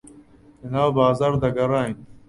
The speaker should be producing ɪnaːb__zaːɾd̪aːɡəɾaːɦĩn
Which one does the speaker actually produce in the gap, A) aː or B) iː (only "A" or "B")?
A